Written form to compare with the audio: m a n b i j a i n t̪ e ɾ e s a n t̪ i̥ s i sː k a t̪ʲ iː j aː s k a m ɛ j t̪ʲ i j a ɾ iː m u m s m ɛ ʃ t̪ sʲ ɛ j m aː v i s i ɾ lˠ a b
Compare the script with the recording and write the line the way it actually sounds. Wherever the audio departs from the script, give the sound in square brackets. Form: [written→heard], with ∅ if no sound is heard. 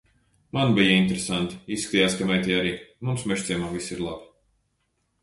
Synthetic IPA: m a n b i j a i n t̪ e ɾ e s a n t̪ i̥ [s→∅] i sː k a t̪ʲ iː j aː s k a m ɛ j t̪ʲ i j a ɾ iː m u m s m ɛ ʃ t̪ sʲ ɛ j m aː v i s i ɾ lˠ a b